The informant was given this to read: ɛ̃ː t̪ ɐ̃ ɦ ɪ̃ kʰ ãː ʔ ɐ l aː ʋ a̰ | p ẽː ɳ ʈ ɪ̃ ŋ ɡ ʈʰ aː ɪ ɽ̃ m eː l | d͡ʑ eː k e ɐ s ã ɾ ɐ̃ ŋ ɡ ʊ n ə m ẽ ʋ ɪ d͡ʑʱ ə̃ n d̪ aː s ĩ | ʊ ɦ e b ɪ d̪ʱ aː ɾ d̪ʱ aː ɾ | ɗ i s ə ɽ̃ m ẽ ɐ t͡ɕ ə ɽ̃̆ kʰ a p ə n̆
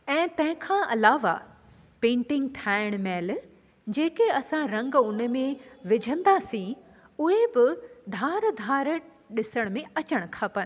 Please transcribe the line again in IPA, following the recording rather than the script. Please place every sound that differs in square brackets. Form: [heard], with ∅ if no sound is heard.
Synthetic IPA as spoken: ɛ̃ː t̪ ɐ̃ ɦ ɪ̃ kʰ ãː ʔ ɐ l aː ʋ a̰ | p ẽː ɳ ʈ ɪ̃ ŋ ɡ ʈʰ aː ɪ ɽ̃ m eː l | d͡ʑ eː k e ɐ s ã ɾ ɐ̃ ŋ ɡ ʊ n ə m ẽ ʋ ɪ d͡ʑʱ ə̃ n d̪ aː s ĩ | ʊ ɦ e b ɪ d̪ʱ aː ɾ d̪ʱ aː ɾ | ɗ [ɪ] s ə ɽ̃ m ẽ ɐ t͡ɕ ə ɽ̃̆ kʰ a p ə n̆